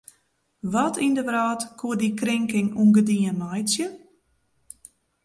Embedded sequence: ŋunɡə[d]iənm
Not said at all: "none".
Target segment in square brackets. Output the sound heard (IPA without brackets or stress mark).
d